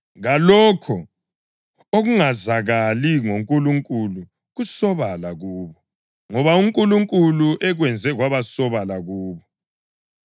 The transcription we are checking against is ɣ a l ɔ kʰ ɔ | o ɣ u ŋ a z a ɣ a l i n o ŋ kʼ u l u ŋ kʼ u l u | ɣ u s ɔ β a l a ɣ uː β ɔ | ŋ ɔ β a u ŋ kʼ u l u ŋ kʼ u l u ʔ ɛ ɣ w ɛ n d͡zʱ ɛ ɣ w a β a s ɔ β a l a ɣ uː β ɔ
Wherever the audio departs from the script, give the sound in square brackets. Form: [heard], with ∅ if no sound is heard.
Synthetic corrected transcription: ɣ a l ɔ kʰ ɔ | o ɣ u ŋ a z a ɣ a l i [ŋ] o ŋ kʼ u l u ŋ kʼ u l u | ɣ u s ɔ β a l a ɣ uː β ɔ | ŋ ɔ β a u ŋ kʼ u l u ŋ kʼ u l u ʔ ɛ ɣ w ɛ n d͡zʱ ɛ ɣ w a β a s ɔ β a l a ɣ uː β ɔ